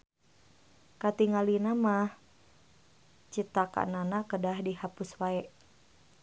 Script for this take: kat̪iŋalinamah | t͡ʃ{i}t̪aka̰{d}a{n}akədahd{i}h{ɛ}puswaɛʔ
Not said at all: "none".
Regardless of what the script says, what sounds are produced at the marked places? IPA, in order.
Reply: i, n, n, i, a

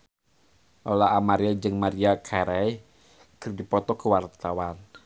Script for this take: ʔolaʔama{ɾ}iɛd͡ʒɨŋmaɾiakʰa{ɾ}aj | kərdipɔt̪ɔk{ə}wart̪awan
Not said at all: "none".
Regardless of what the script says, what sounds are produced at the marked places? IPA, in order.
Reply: ɾ, ɾ, ə

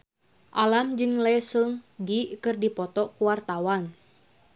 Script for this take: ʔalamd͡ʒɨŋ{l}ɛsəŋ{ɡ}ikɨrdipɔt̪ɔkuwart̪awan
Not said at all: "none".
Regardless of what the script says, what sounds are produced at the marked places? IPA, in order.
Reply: l, d

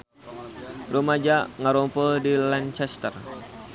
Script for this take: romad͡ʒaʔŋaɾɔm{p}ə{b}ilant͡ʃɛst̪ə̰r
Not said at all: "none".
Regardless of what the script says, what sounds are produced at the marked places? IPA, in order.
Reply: p, d

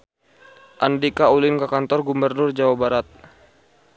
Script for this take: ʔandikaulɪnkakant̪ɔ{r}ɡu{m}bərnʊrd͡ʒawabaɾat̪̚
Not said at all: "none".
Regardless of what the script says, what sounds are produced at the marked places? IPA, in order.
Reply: r, m

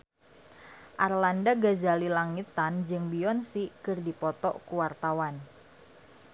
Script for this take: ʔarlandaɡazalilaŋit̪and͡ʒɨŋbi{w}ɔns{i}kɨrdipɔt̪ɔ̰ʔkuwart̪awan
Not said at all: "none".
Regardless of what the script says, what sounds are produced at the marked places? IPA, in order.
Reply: none, i

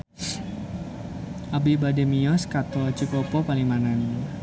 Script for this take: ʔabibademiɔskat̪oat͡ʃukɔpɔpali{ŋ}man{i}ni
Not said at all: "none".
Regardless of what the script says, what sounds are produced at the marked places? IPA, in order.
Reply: ŋ, a

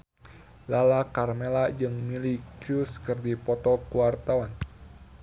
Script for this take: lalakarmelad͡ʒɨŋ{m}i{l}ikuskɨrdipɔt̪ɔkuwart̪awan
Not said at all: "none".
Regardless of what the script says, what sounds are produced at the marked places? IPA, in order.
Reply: m, l

